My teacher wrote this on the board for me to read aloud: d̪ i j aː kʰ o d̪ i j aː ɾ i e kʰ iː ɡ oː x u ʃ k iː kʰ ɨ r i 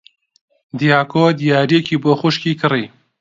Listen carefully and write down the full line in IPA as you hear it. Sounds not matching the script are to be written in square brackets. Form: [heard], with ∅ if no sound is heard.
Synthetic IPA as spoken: d̪ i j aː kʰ o d̪ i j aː ɾ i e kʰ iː [b] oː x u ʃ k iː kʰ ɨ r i